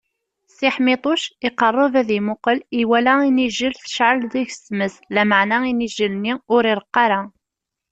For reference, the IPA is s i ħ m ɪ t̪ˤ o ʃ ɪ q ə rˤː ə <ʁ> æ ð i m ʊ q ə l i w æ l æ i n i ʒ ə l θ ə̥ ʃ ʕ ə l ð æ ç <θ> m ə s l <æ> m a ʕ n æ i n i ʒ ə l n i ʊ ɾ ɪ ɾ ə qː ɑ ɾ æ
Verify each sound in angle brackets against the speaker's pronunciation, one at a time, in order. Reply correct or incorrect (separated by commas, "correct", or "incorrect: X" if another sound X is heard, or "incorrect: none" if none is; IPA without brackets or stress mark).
incorrect: v, incorrect: s, correct